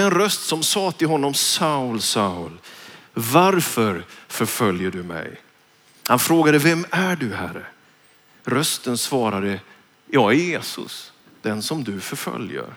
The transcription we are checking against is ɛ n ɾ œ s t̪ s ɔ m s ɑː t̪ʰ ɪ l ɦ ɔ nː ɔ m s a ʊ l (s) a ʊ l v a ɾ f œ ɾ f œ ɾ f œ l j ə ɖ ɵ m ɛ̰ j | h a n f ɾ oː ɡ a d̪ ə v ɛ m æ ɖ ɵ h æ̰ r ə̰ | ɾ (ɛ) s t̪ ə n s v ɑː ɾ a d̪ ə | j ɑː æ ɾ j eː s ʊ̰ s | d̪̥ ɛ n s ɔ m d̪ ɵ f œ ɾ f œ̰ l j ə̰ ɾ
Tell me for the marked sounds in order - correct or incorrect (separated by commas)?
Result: correct, incorrect